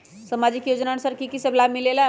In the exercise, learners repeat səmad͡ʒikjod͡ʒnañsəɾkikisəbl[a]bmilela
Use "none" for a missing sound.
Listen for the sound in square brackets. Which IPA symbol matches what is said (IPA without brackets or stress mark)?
a